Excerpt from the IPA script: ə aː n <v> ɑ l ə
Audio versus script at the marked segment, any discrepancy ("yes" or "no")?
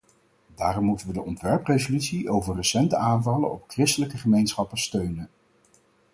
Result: no